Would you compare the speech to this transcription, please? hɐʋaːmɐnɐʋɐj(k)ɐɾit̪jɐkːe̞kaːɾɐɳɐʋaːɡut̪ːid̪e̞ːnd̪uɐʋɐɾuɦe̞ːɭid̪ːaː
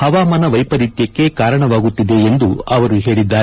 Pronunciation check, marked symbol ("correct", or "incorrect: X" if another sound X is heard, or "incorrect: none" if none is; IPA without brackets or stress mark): incorrect: p